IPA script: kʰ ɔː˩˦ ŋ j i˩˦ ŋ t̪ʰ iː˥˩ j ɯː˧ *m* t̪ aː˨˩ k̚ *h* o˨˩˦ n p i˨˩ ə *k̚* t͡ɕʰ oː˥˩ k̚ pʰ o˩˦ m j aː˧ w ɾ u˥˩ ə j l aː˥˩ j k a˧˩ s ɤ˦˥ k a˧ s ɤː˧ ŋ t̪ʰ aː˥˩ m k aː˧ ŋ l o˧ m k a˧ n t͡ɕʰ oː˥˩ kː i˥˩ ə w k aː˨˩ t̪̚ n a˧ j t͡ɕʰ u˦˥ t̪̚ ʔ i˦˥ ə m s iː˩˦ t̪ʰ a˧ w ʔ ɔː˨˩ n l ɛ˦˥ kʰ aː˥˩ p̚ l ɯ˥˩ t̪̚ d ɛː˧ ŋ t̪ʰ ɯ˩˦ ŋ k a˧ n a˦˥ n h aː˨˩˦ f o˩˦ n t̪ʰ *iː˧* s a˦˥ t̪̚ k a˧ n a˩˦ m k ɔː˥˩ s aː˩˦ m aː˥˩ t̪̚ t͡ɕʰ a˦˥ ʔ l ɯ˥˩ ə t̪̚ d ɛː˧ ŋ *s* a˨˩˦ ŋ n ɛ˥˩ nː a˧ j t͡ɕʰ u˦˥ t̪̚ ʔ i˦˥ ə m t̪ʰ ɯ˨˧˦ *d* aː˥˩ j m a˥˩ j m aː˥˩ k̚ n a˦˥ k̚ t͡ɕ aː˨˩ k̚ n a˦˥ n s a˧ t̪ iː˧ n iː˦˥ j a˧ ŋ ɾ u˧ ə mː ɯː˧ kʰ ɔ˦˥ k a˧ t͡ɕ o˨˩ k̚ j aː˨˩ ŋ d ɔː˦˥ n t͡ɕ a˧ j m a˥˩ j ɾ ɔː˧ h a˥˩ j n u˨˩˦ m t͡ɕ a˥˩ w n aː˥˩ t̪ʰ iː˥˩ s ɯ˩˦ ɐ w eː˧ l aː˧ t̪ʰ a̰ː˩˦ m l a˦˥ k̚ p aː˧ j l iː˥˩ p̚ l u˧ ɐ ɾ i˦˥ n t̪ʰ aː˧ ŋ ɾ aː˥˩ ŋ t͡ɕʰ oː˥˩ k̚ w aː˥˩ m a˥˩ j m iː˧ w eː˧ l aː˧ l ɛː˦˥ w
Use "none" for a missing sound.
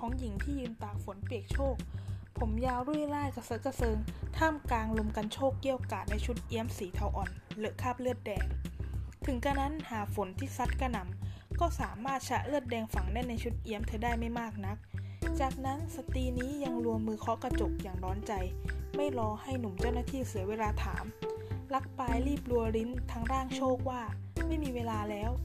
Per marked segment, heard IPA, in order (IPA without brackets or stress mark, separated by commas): n, f, k̚, iː˥˩, f, d